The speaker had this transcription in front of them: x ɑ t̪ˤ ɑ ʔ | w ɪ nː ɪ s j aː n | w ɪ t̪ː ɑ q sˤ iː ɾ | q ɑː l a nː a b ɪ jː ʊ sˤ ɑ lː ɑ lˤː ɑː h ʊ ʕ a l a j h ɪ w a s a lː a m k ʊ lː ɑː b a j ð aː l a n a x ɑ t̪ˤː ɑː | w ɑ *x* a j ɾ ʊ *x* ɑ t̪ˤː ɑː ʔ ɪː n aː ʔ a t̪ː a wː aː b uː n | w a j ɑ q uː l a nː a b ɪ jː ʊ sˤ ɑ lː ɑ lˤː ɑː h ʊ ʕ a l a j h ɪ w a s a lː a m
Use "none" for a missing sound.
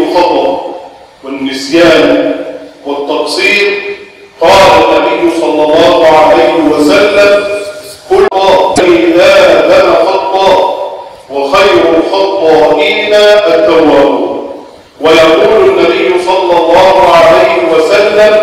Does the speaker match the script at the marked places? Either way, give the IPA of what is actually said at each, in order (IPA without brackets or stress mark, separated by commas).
x, x